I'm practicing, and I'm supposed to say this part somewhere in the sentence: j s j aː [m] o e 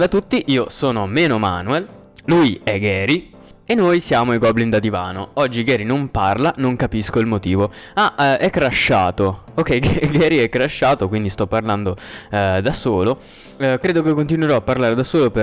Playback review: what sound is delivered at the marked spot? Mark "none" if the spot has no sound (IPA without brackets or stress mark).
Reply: m